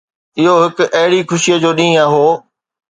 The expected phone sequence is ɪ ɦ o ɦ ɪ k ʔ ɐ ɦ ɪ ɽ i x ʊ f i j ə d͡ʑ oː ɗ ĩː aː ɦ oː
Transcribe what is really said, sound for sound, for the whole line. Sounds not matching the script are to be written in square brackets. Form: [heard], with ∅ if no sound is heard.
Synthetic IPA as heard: ɪ ɦ o ɦ ɪ k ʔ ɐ ɦ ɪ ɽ i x ʊ [ʃ] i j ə d͡ʑ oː ɗ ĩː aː ɦ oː